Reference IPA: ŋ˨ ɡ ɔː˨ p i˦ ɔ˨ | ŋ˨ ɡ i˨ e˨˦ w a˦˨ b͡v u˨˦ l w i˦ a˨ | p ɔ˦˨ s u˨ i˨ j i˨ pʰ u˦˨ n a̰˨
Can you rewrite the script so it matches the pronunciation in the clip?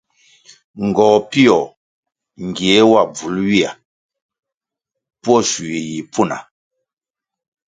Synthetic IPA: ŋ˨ ɡ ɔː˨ p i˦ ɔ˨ | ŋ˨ ɡ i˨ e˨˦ w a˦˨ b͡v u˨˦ l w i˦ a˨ | p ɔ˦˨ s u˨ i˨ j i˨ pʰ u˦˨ n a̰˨